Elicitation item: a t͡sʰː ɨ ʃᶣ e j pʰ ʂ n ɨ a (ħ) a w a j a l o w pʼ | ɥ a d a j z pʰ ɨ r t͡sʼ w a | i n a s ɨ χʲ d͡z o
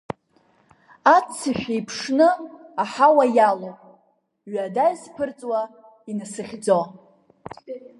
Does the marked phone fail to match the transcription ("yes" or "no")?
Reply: no